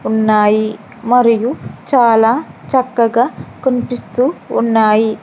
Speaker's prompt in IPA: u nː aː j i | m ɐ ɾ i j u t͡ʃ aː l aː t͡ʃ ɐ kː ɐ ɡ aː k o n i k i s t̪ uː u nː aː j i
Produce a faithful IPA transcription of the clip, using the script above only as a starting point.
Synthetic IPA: u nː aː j i | m ɐ ɾ i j u t͡ʃ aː l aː t͡ʃ ɐ kː ɐ ɡ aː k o n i p i s t̪ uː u nː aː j i